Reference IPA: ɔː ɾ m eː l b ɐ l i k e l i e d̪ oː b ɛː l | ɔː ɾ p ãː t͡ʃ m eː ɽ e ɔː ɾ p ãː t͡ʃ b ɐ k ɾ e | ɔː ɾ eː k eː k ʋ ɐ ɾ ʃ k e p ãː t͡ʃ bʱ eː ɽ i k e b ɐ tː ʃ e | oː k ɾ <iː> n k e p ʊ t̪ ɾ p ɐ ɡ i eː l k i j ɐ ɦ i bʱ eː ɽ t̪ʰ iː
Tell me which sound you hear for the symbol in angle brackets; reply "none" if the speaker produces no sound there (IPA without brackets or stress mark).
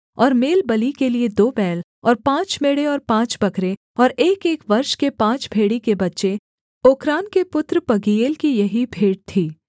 aː